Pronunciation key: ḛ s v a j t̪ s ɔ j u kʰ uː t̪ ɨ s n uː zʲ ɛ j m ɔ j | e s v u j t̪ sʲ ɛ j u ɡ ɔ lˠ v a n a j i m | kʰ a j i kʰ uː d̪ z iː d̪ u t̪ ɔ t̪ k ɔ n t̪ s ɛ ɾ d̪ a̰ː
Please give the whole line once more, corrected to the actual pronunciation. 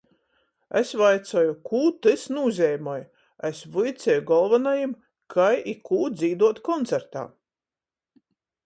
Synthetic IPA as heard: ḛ s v a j t̪ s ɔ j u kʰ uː t̪ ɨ s n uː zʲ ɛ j m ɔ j | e s v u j t̪ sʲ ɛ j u ɡ ɔ lˠ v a n a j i m | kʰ a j i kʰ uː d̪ z iː d̪ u ɔ t̪ k ɔ n t̪ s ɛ ɾ t̪ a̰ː